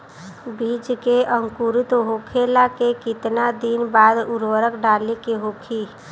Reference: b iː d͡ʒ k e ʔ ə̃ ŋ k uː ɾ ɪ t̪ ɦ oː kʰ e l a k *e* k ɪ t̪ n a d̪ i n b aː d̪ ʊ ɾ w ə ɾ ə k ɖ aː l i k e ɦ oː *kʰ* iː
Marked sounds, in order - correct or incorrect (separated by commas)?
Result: correct, correct